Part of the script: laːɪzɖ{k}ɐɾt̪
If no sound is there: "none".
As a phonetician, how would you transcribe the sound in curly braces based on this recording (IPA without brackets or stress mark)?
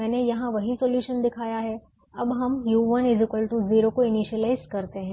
k